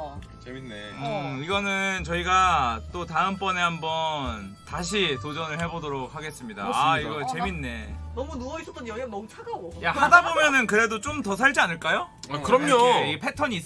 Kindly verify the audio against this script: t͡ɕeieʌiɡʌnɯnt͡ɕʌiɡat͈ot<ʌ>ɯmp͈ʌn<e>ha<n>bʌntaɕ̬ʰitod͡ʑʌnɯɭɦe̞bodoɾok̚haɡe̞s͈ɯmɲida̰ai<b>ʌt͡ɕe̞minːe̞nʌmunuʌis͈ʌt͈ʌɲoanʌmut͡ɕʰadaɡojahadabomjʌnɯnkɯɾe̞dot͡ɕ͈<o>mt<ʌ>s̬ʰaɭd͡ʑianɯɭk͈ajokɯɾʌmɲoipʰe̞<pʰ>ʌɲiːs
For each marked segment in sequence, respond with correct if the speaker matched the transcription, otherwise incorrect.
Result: incorrect: a, correct, incorrect: m, incorrect: ɡ, correct, correct, incorrect: tʰ

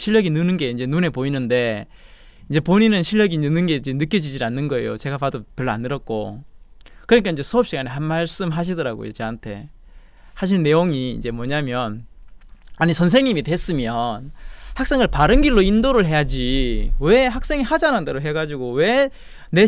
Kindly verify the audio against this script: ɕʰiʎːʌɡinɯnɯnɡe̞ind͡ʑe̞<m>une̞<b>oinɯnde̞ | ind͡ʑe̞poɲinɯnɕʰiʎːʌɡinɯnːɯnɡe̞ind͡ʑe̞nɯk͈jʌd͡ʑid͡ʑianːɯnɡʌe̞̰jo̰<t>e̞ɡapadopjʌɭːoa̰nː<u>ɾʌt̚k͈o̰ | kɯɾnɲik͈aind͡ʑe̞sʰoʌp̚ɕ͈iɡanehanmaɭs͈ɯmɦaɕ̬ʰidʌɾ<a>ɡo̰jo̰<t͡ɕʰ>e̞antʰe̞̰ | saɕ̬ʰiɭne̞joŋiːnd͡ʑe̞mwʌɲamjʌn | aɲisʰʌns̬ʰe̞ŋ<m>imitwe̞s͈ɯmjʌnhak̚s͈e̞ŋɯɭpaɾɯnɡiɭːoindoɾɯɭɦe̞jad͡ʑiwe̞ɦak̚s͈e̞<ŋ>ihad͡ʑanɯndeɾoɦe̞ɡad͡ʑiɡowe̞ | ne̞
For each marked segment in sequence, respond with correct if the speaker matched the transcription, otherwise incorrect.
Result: incorrect: n, incorrect: p, incorrect: t͡ɕ, incorrect: ɯ, correct, incorrect: t͡ɕ, incorrect: ɲ, correct

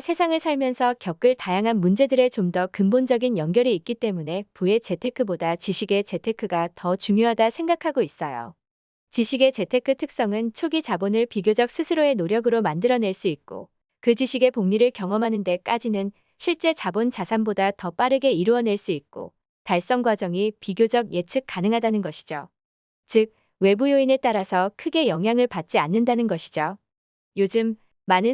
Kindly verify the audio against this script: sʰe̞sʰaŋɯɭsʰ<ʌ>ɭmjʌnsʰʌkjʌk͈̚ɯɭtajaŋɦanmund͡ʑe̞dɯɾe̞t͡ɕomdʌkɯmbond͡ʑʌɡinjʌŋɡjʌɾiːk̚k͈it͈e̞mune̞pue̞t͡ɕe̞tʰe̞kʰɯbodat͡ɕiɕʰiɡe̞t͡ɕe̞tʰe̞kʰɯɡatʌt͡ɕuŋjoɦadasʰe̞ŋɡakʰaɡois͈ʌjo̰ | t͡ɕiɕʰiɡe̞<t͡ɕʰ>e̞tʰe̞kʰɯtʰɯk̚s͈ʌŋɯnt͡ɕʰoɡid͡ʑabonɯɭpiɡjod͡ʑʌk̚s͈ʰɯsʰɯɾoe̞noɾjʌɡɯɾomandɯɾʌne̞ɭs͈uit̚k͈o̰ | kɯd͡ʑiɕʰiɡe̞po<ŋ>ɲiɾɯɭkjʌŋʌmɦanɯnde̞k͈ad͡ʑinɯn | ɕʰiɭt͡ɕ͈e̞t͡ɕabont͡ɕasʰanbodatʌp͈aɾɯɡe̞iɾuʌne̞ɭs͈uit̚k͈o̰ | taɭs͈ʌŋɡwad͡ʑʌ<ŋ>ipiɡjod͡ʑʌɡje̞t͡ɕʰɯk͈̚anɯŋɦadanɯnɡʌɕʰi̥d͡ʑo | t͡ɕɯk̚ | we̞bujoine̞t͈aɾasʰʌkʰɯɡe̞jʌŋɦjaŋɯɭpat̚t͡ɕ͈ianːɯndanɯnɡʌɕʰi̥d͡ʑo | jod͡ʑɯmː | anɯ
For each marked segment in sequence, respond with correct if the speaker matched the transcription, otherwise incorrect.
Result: incorrect: a, incorrect: t͡ɕ, correct, correct

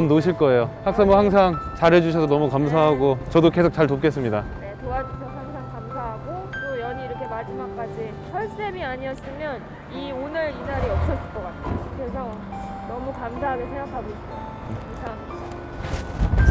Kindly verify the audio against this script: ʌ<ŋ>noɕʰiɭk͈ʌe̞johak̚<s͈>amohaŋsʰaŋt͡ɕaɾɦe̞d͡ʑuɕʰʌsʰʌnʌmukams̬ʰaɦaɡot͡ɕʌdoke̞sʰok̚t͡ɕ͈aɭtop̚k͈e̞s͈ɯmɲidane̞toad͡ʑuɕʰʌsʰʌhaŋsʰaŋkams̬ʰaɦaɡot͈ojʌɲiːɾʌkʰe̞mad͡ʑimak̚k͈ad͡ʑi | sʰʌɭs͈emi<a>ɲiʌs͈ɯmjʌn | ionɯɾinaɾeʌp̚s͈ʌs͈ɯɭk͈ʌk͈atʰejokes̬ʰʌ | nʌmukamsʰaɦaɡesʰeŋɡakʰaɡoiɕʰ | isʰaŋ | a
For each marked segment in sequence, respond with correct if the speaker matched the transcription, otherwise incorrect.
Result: incorrect: m, correct, correct

